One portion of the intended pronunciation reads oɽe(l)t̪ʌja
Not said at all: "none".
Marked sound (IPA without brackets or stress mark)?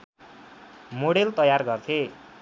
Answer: l